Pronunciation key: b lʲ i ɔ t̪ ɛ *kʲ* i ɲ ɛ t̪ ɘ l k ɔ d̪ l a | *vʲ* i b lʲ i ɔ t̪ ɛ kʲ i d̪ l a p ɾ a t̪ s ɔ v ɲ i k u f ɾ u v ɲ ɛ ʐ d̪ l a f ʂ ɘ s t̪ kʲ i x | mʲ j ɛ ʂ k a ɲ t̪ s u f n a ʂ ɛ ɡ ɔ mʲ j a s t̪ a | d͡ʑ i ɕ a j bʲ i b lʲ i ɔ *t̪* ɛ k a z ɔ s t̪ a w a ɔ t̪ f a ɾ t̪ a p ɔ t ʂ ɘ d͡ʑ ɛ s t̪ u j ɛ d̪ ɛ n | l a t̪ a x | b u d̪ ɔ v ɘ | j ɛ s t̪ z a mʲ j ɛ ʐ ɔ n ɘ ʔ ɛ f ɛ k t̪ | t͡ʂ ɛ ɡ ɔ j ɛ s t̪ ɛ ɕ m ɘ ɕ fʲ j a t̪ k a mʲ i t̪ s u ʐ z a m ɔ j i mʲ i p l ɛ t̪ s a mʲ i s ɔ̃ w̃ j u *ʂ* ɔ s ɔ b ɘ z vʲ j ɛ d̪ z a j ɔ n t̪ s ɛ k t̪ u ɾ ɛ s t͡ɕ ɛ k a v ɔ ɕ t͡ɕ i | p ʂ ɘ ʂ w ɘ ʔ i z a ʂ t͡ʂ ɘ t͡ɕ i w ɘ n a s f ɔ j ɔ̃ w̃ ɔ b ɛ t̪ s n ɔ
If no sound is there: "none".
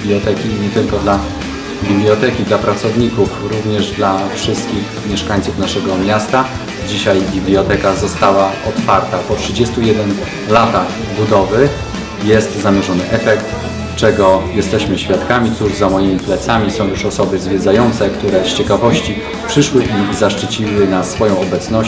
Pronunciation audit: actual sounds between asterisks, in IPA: kʲ, bʲ, t̪, ʂ

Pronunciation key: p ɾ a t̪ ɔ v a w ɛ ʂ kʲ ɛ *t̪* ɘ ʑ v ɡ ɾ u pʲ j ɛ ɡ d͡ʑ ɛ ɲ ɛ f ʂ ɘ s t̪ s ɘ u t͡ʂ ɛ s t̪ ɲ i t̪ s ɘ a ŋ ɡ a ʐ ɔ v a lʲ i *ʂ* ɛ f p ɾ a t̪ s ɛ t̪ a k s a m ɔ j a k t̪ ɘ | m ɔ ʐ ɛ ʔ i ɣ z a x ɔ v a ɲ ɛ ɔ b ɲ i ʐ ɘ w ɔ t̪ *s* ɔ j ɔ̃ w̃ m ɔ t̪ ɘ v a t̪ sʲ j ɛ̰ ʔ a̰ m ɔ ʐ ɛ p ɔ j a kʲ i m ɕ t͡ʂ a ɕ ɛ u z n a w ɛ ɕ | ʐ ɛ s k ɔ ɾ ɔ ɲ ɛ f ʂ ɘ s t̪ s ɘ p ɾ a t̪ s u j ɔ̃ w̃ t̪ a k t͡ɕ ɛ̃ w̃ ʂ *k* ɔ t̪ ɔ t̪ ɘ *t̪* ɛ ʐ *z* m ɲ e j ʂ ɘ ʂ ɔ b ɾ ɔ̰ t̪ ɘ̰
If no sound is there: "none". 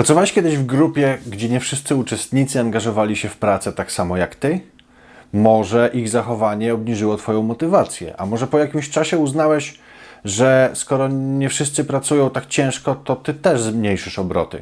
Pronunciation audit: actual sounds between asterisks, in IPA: d̪, ɕ, f, k, t̪, z

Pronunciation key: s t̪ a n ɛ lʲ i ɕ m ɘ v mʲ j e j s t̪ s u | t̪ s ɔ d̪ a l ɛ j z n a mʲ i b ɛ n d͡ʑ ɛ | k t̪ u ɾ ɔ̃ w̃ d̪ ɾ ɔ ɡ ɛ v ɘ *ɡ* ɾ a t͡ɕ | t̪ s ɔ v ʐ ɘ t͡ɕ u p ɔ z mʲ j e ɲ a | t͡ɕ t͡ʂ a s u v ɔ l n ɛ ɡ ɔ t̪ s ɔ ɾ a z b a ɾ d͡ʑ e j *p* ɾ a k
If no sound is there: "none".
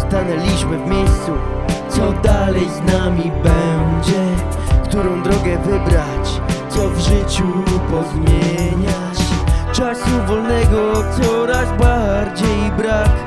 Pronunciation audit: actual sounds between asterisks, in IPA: b, b

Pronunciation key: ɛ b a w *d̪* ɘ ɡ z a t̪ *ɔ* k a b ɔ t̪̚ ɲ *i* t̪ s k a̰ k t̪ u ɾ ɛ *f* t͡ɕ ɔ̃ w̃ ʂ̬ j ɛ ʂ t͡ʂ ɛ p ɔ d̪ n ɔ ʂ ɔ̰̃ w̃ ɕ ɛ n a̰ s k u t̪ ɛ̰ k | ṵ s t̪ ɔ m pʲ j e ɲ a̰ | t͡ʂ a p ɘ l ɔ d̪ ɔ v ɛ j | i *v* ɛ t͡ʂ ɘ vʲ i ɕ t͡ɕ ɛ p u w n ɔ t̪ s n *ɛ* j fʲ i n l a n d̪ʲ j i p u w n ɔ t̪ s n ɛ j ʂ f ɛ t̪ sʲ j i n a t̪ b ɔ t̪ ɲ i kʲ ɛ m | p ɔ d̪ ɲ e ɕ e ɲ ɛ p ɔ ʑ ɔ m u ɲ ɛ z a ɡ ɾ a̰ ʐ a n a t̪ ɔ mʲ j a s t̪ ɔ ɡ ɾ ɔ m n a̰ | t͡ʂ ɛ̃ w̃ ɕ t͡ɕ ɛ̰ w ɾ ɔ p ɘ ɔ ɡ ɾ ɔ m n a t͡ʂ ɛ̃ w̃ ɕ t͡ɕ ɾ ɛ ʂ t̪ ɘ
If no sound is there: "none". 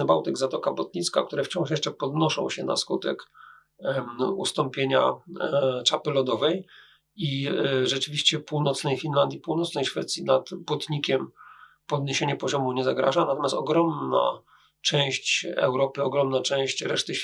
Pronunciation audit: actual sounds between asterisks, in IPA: t̪, ɔ, i, f, ʐ, ɛ

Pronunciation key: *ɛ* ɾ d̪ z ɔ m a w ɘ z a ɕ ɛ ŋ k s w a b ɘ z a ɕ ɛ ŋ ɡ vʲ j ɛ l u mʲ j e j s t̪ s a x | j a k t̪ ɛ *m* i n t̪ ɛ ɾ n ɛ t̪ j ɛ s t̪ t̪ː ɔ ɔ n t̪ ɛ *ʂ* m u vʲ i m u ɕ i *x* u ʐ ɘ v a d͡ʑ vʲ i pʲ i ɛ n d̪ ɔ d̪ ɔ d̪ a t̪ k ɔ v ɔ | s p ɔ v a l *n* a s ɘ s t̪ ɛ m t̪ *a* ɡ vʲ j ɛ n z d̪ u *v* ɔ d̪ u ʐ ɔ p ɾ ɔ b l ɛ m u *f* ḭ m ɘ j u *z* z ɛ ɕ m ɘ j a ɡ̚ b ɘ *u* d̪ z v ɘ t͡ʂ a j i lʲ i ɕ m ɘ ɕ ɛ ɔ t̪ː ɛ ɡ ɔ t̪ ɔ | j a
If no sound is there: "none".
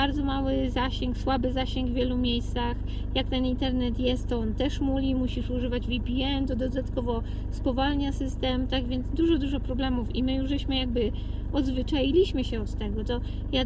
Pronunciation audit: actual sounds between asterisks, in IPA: a, n, ʂ, ʂ, ɲ, a, ʐ, f, ʐ, ɔ

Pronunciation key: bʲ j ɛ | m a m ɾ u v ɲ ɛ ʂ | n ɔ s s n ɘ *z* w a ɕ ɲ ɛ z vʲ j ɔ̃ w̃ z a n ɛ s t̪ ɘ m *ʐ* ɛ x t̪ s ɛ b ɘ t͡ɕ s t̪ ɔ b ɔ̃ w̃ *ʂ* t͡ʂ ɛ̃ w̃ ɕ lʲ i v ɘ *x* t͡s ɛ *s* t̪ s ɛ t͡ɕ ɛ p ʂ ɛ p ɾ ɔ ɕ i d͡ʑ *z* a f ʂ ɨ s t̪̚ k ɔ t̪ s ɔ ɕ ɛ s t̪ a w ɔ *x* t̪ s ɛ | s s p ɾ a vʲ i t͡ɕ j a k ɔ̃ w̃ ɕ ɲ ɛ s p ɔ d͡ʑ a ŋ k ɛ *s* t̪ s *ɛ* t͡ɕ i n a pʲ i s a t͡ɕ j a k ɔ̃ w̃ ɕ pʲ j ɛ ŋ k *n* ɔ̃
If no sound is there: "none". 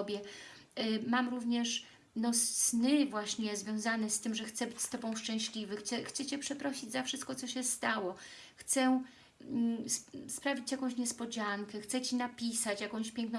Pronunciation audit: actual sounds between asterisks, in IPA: v, ʐ, ʂ, x, x, z, x, x, ɛ, n

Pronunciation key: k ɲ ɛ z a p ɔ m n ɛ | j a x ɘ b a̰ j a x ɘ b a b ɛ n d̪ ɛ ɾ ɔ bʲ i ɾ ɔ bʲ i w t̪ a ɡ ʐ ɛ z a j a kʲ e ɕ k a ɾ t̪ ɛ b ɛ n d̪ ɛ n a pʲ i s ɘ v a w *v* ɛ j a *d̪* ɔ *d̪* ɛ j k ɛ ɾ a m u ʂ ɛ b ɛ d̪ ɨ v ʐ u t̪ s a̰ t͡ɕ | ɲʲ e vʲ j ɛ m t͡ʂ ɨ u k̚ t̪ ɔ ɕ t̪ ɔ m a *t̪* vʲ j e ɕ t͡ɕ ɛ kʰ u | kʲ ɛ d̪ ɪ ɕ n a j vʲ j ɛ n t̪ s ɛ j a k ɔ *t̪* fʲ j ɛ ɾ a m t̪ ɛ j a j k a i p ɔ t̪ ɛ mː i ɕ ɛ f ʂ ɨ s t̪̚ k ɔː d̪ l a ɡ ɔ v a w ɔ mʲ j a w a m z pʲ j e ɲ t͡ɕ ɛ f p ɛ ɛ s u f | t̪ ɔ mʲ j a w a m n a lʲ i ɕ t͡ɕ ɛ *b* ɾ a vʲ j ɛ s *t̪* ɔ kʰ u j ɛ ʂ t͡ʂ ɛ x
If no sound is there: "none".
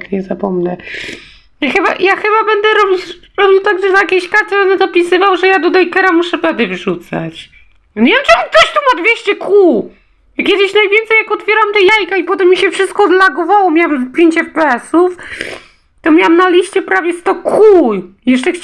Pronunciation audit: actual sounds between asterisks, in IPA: ʐ, d̪, d̪, d̪, t̪, p, t̪

